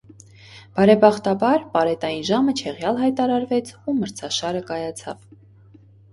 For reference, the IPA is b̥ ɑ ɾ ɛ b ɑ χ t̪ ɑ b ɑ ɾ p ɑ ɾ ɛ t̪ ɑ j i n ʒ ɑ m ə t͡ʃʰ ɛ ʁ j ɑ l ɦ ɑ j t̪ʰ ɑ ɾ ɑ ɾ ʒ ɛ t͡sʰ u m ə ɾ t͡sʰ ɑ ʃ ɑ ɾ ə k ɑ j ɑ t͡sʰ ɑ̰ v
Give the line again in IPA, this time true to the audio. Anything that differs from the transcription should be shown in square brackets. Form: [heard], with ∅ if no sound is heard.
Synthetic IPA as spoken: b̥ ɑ ɾ ɛ b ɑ χ t̪ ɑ b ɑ ɾ p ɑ ɾ ɛ t̪ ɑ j i n ʒ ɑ m ə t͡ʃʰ ɛ ʁ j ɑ l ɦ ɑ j [t̪] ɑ ɾ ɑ ɾ [v] ɛ t͡sʰ u m ə ɾ t͡sʰ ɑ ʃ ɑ ɾ ə k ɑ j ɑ t͡sʰ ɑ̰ v